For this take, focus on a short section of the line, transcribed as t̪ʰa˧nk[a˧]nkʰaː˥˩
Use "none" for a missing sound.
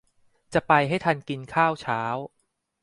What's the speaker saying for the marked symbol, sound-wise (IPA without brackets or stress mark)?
i˧